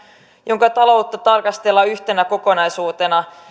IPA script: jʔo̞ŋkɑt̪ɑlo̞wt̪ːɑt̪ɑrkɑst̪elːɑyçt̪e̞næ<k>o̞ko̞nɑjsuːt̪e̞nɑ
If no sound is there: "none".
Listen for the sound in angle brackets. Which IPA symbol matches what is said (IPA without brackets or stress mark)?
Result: k